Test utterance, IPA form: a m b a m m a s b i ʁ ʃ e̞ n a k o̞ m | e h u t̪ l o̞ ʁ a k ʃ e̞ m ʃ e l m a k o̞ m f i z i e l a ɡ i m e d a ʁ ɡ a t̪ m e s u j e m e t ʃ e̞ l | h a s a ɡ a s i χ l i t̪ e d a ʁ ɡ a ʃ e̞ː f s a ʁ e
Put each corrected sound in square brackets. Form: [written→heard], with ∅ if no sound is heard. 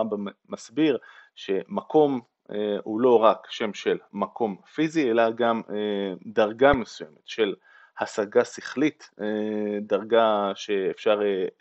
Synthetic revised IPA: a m b a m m a s b i ʁ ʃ e̞ [n→m] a k o̞ m | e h u [t̪→∅] l o̞ ʁ a k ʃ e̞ m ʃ e l m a k o̞ m f i z i e l a ɡ [i→a] m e d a ʁ ɡ a [t̪→∅] m e s u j e m e t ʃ e̞ l | h a s a ɡ a s i χ l i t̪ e d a ʁ ɡ a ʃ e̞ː f [s→ʃ] a ʁ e